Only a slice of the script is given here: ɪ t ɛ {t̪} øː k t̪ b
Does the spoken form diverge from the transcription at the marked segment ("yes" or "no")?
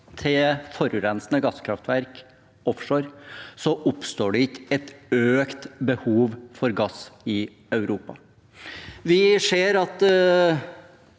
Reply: no